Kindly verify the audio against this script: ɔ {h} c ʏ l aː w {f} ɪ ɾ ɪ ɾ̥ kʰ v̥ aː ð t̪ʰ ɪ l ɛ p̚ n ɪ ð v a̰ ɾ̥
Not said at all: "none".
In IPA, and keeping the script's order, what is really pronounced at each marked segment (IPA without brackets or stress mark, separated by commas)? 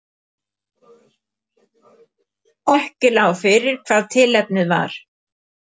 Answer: h, f